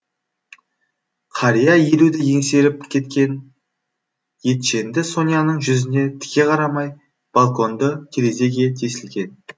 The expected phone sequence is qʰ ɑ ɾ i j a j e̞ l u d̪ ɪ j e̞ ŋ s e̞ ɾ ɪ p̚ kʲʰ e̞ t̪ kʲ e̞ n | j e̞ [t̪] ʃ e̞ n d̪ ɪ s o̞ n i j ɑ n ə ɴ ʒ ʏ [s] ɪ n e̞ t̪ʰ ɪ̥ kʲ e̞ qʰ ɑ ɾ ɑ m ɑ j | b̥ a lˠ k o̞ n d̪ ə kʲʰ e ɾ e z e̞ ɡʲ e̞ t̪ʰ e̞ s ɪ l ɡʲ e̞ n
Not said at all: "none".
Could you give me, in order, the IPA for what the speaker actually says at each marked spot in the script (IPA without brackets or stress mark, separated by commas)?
t̪, z